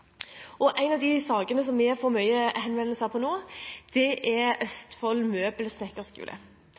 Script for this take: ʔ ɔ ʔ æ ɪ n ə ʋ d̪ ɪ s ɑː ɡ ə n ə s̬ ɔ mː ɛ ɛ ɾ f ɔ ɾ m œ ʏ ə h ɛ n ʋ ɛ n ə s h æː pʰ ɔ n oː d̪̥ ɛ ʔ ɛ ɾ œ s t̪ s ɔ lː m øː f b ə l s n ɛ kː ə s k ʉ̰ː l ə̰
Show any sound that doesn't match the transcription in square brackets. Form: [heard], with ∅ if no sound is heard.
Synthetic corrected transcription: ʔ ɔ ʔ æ ɪ n [ɑ] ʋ d̪ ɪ s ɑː ɡ ə n ə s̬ ɔ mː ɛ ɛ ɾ f ɔ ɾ m œ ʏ ə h ɛ n ʋ ɛ n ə s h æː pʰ ɔ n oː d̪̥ ɛ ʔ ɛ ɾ œ s t̪ [f] ɔ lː m øː [∅] b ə l s n ɛ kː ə s k ʉ̰ː l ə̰